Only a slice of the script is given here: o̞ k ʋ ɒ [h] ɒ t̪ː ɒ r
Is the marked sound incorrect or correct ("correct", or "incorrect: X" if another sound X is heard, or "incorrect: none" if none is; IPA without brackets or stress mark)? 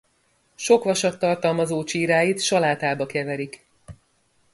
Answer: incorrect: ʃ